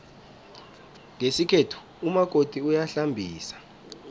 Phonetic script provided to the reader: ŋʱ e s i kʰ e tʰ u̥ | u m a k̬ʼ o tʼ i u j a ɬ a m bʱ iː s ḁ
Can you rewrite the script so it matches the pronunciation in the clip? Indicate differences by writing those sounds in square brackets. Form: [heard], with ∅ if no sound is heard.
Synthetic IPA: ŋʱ e s i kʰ e tʰ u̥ | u m a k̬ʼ o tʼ i u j a ɬ a m bʱ iː s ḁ